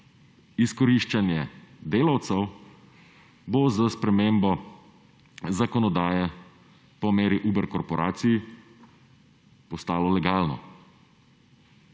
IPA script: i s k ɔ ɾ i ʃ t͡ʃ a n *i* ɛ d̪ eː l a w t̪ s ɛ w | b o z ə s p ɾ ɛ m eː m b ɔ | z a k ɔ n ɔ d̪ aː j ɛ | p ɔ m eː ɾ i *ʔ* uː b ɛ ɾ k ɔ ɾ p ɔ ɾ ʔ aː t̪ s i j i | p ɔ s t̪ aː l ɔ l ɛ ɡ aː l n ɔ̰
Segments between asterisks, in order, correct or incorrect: incorrect, correct

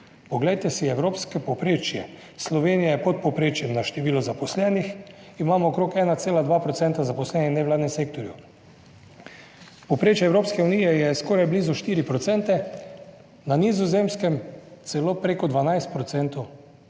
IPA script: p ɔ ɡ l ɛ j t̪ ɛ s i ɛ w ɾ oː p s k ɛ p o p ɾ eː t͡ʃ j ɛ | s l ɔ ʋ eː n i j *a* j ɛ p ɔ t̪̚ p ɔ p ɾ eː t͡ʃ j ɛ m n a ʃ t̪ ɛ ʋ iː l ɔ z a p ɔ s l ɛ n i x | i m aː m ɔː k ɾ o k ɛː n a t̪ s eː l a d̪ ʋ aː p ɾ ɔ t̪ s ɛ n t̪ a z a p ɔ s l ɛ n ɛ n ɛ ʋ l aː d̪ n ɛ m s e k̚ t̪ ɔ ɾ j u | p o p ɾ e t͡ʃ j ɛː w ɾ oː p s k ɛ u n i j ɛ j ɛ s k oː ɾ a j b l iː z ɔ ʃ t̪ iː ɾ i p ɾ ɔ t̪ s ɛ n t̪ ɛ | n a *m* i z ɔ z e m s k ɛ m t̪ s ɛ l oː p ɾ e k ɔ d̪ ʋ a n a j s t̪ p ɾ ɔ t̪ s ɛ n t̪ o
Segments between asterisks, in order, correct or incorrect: correct, incorrect

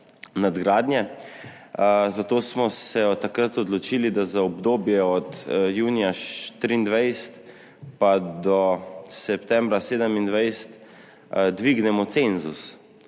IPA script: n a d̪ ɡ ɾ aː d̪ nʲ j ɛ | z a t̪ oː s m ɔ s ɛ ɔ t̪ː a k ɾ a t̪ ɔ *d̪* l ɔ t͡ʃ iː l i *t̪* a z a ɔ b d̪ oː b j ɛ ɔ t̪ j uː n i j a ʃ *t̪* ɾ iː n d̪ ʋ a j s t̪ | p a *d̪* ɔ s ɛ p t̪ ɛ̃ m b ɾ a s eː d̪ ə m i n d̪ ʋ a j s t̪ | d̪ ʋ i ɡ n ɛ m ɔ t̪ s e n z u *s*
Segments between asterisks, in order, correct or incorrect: correct, incorrect, correct, correct, correct

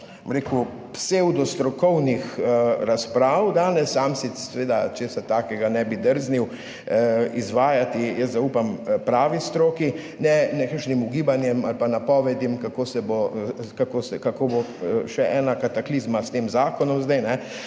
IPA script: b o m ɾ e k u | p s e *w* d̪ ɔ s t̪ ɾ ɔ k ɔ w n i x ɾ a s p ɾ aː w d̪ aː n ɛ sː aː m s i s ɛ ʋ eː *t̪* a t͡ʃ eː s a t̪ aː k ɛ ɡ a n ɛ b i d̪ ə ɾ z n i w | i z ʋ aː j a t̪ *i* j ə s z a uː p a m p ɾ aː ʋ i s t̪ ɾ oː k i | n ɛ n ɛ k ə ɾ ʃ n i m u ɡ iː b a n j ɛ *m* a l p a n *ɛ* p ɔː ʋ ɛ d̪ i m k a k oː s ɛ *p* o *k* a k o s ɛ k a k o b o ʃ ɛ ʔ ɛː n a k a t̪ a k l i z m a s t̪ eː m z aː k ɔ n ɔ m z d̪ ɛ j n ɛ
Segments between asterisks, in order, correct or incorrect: correct, incorrect, correct, correct, incorrect, incorrect, correct

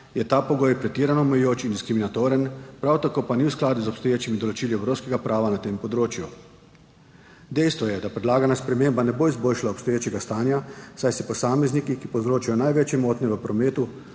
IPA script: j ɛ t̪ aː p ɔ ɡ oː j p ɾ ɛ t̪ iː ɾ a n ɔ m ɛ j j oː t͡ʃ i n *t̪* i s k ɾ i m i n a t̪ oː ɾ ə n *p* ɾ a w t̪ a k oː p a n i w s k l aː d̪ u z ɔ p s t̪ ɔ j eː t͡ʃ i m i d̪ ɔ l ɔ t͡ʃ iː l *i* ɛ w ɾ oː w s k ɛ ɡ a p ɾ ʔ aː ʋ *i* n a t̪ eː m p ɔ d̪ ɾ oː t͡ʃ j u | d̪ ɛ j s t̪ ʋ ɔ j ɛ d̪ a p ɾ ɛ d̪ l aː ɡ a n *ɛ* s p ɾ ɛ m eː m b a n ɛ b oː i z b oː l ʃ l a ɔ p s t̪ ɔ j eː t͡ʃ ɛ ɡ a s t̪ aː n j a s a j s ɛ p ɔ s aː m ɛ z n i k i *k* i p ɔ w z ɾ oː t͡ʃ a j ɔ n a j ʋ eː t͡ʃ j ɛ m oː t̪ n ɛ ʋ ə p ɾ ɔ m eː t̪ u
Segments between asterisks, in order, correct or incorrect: incorrect, correct, correct, incorrect, incorrect, correct

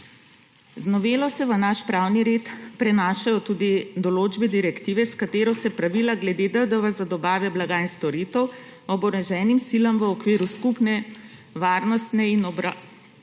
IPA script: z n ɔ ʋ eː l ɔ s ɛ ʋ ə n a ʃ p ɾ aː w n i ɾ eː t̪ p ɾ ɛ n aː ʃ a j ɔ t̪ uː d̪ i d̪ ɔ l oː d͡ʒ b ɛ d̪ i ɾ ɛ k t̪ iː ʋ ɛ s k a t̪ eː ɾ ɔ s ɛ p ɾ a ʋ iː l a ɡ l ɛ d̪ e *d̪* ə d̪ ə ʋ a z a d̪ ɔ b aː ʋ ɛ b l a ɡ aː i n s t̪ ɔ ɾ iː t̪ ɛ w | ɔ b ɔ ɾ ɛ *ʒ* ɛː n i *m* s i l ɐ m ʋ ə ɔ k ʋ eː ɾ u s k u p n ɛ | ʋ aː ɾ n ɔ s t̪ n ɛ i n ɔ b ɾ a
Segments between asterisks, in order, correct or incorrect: correct, correct, correct

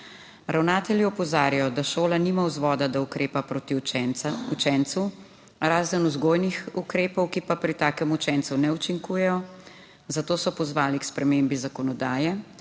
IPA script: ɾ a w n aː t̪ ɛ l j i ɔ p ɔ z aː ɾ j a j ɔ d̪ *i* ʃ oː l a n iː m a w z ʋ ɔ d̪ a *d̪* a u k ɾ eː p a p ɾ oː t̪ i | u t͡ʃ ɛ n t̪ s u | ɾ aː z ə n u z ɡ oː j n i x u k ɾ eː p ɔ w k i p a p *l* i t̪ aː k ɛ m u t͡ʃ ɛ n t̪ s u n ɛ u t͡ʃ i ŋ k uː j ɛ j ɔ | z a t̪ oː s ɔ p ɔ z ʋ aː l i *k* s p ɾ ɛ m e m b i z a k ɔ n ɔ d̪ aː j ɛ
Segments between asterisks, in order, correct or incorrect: incorrect, correct, incorrect, correct

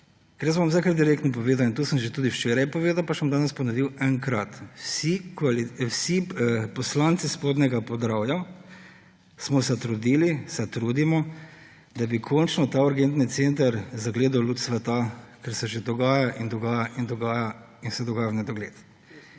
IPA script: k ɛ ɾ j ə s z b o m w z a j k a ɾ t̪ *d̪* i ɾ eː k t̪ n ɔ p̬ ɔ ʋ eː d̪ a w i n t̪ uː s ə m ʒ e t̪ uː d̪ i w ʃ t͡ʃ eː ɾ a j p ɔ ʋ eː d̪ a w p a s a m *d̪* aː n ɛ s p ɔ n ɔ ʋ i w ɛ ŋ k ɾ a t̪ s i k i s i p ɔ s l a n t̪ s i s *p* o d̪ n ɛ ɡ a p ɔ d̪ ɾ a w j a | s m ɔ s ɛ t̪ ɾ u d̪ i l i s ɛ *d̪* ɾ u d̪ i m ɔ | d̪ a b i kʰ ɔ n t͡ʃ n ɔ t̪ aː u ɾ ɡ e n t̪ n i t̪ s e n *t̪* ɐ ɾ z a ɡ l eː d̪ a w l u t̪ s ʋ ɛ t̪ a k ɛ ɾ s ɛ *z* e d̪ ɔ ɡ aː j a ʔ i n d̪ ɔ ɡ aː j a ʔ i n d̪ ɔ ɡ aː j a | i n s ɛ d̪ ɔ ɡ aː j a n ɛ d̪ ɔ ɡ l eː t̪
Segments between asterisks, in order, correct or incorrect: correct, correct, correct, incorrect, correct, incorrect

